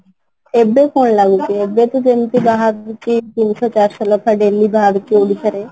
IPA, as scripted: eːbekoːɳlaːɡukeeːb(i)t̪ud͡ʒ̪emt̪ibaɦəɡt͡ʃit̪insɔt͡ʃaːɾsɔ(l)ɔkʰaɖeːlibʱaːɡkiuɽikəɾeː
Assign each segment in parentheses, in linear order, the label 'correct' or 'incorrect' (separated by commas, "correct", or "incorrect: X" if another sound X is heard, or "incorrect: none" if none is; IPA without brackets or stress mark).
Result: incorrect: e, correct